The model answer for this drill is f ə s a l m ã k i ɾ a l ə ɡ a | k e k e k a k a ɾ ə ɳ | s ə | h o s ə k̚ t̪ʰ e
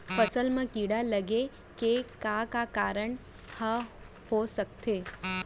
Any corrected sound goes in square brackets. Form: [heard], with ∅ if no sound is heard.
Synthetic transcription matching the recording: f ə s [ə] l m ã k i [ɽ] a l ə ɡ [e] | k e k [a] k a k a ɾ ə ɳ | [h] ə | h o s ə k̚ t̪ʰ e